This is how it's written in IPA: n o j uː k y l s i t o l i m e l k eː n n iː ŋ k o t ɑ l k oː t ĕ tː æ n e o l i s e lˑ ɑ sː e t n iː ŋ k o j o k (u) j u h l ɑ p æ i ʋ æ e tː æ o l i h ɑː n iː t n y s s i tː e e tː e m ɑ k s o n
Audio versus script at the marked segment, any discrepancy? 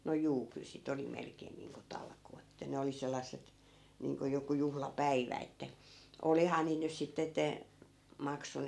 no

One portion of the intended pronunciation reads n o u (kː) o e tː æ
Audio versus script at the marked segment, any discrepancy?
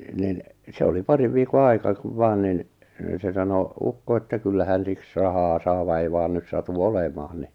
no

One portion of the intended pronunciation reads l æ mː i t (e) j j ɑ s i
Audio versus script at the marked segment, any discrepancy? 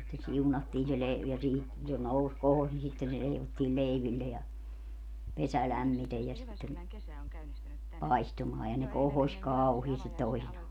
no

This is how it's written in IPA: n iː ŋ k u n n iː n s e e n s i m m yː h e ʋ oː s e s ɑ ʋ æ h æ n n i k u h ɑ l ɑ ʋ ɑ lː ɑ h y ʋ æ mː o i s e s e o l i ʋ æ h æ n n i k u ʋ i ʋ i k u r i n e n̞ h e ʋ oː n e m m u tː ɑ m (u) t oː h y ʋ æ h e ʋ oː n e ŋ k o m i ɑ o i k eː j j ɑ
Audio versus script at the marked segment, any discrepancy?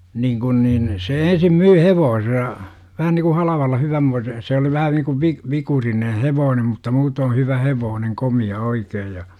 yes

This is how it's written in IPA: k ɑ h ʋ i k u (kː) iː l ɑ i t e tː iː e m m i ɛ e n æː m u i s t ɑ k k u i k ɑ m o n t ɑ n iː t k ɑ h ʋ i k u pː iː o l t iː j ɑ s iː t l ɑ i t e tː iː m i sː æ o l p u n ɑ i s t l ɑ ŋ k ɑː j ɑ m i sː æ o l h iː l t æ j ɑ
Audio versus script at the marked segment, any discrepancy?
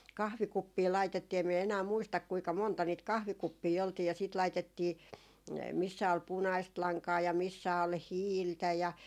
yes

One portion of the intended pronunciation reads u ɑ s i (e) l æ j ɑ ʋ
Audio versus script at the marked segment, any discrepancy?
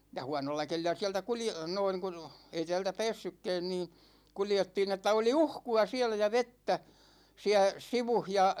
yes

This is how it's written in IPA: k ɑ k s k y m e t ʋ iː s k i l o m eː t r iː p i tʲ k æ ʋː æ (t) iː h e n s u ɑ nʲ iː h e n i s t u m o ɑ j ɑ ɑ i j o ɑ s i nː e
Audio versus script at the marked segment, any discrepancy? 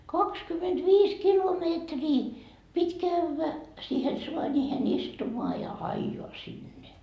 yes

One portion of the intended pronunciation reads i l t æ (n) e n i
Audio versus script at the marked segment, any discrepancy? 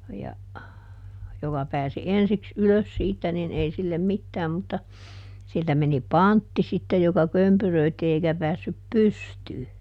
yes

